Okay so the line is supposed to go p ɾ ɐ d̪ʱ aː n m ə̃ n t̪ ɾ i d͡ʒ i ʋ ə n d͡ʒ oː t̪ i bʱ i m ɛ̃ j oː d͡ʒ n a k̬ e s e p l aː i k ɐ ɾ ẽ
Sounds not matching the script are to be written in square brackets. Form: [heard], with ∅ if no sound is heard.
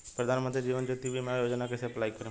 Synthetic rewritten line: p ɾ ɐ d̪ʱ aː n m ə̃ n t̪ ɾ i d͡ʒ [iː] ʋ ə n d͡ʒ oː t̪ i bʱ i m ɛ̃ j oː d͡ʒ n a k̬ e s e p l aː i k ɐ ɾ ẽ